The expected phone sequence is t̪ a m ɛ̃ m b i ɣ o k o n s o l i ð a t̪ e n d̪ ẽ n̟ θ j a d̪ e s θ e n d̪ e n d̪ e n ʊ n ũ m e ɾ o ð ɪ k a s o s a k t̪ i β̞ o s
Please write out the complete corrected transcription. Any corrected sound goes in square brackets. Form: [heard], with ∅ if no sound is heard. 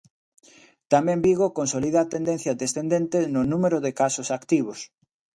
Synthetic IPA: t̪ a m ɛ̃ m b i ɣ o k o n s o l i ð a t̪ e n d̪ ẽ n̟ θ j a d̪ e s θ e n d̪ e n [t̪] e n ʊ n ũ m e ɾ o ð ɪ k a s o s a k t̪ i β̞ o s

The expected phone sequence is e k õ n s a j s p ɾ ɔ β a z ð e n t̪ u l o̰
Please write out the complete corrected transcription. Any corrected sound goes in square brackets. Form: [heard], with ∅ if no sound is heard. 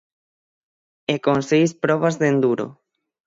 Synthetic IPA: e k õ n s [e] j s p ɾ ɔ β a z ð e n [d̪] u [ɾ] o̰

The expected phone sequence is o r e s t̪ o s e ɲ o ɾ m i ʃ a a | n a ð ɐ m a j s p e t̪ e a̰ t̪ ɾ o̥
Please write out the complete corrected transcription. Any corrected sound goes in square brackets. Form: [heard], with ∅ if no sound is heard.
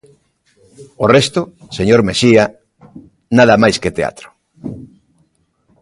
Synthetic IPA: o r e s t̪ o s e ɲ o ɾ m [e] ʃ [i] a | n a ð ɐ m a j s [k] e t̪ e a̰ t̪ ɾ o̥

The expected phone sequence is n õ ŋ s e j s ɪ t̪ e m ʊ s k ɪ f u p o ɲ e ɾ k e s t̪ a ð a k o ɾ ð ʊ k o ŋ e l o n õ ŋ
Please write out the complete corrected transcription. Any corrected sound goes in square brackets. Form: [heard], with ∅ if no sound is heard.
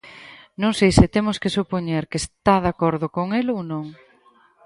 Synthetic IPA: n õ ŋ s e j s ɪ t̪ e m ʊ s k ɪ [s] u p o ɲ e ɾ k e s t̪ a ð a k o ɾ ð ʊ k o ŋ e l o n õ ŋ

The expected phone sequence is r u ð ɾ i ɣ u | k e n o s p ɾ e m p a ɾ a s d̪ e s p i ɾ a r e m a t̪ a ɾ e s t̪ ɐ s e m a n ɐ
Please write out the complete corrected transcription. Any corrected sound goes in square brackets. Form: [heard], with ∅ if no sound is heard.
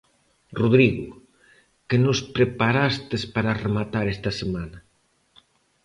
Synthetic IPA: r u ð ɾ i ɣ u | k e n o s p ɾ e [∅] p a ɾ a s [t̪] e s p [a] ɾ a r e m a t̪ a ɾ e s t̪ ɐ s e m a n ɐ

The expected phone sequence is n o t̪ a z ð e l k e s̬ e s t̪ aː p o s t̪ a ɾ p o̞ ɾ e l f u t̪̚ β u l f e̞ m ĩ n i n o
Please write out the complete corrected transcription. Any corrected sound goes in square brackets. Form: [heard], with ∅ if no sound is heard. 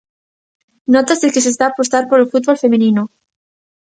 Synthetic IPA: n o t̪ a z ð e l k e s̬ e s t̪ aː p o s t̪ a ɾ p o̞ ɾ e l f u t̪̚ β [o] l f e̞ m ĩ n i n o

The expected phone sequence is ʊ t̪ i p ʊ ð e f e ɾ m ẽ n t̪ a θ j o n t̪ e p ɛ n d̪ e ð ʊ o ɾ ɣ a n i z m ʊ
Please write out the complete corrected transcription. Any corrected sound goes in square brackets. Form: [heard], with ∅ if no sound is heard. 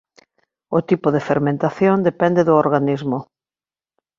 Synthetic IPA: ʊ t̪ i p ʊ ð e f e ɾ m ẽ n t̪ a θ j o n [d̪] e p ɛ n d̪ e ð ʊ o ɾ ɣ a n i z m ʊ

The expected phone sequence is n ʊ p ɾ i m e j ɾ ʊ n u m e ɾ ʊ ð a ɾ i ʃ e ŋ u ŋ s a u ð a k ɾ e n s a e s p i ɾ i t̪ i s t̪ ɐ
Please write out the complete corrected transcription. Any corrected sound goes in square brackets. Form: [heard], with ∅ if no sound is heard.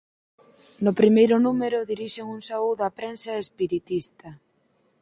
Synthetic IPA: n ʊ p ɾ i m e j ɾ ʊ n u m e ɾ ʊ ð [i] ɾ i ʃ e ŋ u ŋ s a u ð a [p] ɾ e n s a e s p i ɾ i t̪ i s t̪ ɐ

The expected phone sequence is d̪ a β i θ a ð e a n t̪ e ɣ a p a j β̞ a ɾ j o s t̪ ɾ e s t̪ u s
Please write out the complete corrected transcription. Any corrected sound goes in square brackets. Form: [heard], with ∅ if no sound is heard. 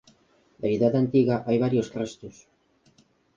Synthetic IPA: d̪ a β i [ð] a ð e a n t̪ [i] ɣ a [ʔ] a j β̞ a ɾ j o s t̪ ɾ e s t̪ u s

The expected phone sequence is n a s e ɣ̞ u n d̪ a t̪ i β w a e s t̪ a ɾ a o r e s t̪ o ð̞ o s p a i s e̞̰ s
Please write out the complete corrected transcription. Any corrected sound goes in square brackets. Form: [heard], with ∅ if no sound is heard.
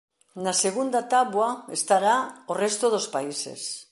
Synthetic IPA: n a s e ɣ̞ u n d̪ a t̪ [a] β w a e s t̪ a ɾ a o r e s t̪ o ð̞ o s p a i s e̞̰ s

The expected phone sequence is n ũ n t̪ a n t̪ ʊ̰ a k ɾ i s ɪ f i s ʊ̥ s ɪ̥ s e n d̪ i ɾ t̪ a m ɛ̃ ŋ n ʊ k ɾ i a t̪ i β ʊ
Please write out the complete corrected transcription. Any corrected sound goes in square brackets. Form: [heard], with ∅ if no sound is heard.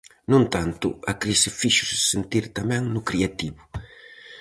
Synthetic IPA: n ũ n t̪ a n t̪ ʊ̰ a k ɾ i s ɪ f i [ʃ] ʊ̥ s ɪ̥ s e n [t̪] i ɾ t̪ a m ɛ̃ ŋ n ʊ k ɾ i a t̪ i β ʊ

